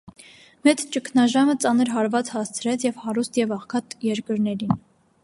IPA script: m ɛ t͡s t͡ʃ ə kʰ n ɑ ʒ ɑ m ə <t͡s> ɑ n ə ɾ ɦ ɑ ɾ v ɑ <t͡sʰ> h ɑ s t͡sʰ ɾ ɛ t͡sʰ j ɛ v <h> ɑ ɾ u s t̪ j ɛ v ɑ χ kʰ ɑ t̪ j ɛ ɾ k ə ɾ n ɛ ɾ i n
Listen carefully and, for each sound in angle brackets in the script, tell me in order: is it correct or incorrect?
correct, incorrect, correct

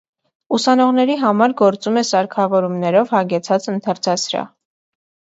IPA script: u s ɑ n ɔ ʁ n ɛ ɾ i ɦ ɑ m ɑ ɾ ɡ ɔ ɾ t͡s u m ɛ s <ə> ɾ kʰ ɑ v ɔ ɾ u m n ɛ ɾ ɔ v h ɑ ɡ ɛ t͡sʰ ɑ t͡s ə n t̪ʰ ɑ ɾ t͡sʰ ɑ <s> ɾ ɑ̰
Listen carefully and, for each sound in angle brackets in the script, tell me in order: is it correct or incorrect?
incorrect, correct

